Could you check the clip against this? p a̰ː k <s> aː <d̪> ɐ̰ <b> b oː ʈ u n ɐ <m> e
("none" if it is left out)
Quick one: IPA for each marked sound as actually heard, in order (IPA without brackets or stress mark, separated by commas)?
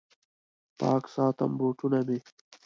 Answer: s, t̪, m, m